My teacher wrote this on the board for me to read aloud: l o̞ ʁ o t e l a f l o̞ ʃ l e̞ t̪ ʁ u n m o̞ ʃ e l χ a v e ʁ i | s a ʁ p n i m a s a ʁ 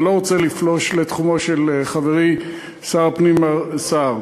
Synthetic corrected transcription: l o̞ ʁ o t͡s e l i f l o̞ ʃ l e̞ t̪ χ u m o̞ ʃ e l χ a v e ʁ i | s a ʁ p n i m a s a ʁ